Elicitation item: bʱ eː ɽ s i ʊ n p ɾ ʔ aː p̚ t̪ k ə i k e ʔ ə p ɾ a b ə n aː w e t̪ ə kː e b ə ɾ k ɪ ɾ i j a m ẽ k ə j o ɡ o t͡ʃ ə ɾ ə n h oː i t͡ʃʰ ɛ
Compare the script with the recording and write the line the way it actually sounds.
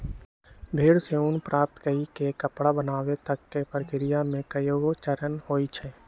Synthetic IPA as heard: bʱ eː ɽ s e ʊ n p ɾ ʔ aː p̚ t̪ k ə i k e k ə p ɽ a b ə n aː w e t̪ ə kː e p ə ɾ k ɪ ɾ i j a m ẽ k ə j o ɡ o t͡ʃ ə ɾ ə n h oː i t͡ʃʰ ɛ